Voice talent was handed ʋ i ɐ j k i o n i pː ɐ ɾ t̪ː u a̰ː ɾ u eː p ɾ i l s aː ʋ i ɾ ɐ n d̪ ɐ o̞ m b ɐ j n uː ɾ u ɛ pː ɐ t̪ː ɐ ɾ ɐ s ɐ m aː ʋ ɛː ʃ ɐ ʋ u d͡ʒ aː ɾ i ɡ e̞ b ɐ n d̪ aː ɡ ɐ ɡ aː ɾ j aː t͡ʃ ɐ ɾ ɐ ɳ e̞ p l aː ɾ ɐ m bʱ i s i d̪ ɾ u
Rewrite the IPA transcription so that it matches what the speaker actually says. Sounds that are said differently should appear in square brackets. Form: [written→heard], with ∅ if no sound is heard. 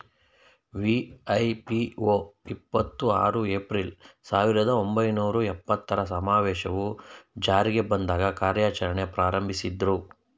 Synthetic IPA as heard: ʋ i ɐ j [k→p] i o [n→∅] i pː ɐ [ɾ→∅] t̪ː u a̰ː ɾ u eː p ɾ i l s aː ʋ i ɾ ɐ [n→∅] d̪ ɐ o̞ m b ɐ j n uː ɾ u ɛ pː ɐ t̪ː ɐ ɾ ɐ s ɐ m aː ʋ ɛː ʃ ɐ ʋ u d͡ʒ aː ɾ i ɡ e̞ b ɐ n d̪ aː ɡ ɐ [ɡ→k] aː ɾ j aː t͡ʃ ɐ ɾ ɐ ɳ e̞ p [l→ɾ] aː ɾ ɐ m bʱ i s i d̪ ɾ u